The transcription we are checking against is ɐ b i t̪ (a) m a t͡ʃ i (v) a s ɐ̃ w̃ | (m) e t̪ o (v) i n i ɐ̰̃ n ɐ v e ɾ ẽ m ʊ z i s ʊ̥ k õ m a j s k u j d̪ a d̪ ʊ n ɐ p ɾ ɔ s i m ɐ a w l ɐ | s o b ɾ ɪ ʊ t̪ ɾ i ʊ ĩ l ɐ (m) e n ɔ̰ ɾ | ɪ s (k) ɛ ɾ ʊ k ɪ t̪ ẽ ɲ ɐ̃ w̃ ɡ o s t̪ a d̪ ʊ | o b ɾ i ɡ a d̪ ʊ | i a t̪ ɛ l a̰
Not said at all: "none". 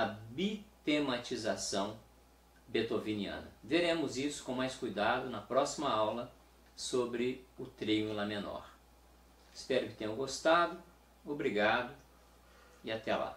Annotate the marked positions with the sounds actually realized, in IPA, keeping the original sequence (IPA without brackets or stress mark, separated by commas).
e, z, b, v, m, p